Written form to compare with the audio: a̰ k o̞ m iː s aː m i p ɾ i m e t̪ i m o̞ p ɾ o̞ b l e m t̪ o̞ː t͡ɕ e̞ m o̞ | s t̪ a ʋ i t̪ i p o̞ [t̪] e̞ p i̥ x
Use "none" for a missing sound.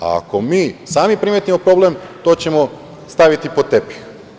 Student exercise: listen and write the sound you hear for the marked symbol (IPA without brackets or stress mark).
t̪